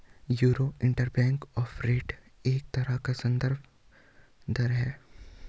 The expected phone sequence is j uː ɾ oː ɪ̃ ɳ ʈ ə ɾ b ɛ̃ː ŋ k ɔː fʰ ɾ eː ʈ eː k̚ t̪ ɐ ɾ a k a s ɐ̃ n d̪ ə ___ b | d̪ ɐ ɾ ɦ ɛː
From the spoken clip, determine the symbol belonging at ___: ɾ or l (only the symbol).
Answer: ɾ